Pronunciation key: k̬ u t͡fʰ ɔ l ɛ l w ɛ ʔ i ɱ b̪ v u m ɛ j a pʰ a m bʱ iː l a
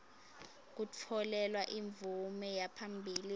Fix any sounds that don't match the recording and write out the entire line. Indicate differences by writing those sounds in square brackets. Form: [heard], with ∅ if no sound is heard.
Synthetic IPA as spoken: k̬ u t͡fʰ ɔ l ɛ l w [a] ʔ i ɱ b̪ v u m ɛ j a pʰ a m bʱ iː l [i]